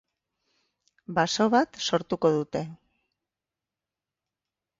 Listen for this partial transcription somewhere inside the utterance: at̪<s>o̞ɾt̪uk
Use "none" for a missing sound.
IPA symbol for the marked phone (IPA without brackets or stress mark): s